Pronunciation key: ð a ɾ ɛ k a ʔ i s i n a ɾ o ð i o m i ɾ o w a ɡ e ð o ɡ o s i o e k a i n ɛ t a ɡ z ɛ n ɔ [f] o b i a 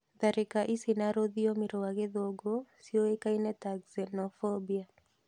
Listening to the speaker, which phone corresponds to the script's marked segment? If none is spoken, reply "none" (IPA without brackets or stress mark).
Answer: f